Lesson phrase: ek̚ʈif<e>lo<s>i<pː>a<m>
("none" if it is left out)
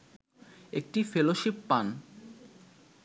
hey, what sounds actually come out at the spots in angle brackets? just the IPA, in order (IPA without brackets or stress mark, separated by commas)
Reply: e, ʃ, pː, n